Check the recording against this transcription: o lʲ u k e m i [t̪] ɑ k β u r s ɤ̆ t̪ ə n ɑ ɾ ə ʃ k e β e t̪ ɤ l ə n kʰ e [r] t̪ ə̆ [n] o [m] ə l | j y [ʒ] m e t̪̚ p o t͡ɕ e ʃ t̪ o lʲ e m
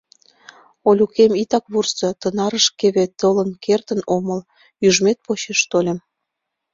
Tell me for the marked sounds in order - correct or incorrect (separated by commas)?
correct, correct, correct, correct, correct